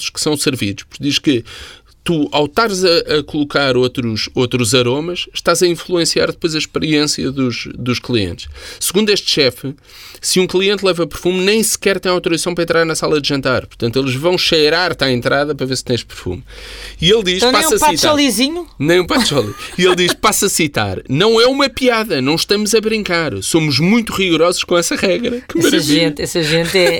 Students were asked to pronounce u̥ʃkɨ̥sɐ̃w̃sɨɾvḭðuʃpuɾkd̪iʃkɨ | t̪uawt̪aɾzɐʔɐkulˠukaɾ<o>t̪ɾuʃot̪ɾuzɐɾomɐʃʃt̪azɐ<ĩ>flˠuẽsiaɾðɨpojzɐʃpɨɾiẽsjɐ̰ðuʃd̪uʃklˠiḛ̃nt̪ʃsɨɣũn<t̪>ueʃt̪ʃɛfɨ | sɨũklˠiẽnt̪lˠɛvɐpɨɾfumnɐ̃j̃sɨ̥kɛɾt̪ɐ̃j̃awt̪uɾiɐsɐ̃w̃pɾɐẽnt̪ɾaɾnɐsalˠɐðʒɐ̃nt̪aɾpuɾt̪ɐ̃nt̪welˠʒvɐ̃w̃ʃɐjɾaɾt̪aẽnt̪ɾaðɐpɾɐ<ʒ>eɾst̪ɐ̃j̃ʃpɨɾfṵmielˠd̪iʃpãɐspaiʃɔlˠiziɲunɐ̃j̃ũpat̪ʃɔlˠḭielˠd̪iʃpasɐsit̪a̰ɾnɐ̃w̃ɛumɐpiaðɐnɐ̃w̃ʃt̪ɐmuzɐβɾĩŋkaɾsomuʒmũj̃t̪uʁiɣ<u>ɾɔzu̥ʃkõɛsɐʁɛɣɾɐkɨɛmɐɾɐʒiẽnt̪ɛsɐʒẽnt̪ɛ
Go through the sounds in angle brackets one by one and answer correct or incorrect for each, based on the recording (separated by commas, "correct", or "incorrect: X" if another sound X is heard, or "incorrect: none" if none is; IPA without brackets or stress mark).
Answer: correct, correct, incorrect: d̪, incorrect: v, correct